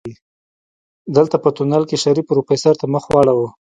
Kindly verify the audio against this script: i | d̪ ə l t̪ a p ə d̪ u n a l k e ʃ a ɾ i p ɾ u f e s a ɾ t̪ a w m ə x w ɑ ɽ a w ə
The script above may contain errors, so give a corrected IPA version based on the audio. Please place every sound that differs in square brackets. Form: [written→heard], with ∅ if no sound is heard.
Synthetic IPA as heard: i | d̪ ə l t̪ a p ə [d̪→t̪] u n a l k e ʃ a ɾ i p ɾ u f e s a ɾ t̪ a [w→∅] m ə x w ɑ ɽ a w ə